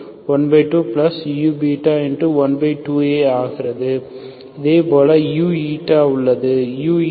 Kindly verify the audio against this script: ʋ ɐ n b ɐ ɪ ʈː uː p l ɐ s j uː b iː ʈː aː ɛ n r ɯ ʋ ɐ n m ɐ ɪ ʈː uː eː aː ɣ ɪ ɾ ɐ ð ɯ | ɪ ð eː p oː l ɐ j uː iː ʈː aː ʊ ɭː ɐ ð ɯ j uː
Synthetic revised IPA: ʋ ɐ n b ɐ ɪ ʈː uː p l ɐ s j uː b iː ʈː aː ɛ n r ɯ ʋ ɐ n b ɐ ɪ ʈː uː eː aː ɣ ɪ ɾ ɐ ð ɯ | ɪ ð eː p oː l ɐ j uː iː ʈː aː ʊ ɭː ɐ ð ɯ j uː